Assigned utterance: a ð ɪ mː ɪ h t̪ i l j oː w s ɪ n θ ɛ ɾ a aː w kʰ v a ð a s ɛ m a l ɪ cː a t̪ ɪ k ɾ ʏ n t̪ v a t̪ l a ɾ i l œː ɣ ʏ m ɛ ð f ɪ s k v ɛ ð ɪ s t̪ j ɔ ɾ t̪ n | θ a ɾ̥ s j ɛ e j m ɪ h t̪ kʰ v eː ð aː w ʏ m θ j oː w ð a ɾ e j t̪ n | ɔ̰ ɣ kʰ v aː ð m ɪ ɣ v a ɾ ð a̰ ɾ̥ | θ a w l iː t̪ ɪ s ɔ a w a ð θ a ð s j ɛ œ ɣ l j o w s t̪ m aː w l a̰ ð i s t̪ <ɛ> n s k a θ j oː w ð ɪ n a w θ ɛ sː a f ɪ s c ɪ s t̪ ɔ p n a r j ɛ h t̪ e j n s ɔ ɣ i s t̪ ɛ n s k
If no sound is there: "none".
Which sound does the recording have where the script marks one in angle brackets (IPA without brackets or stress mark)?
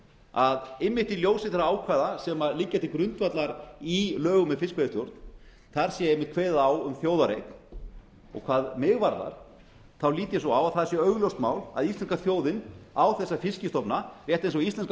ɛ